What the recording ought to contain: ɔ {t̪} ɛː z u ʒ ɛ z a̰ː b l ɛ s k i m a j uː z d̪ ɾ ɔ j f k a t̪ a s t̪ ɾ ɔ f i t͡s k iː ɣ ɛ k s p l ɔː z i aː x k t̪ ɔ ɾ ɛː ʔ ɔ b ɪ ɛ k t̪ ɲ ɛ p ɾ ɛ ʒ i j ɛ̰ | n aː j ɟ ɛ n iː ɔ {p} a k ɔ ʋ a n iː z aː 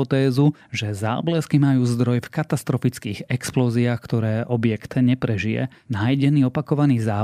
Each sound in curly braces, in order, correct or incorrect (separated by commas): correct, correct